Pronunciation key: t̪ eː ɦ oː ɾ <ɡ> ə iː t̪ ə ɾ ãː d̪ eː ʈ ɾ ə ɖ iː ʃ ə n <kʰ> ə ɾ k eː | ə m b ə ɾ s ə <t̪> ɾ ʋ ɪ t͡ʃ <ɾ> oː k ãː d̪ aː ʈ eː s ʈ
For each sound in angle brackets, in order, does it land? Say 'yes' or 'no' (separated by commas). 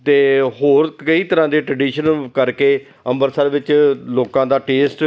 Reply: no, no, no, no